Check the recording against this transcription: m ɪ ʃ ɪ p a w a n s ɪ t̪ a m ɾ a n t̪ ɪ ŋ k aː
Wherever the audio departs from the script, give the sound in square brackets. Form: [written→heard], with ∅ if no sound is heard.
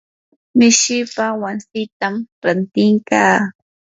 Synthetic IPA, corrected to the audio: m ɪ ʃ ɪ p a w a n s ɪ t̪ a m ɾ a n t̪ ɪ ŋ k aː